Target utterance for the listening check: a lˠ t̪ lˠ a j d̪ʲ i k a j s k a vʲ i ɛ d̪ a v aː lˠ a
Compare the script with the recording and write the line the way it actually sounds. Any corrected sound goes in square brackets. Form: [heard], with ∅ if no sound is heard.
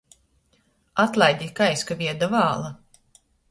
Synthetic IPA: a [∅] t̪ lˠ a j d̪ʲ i k a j s k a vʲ i ɛ d̪ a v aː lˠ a